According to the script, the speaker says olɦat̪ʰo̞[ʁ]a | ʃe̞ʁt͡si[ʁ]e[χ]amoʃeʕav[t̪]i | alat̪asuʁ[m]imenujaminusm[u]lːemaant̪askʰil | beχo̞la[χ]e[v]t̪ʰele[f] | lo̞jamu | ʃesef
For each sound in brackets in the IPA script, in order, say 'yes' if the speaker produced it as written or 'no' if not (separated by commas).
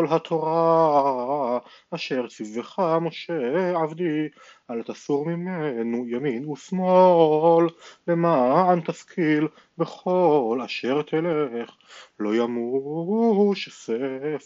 yes, no, yes, no, yes, no, no, no, no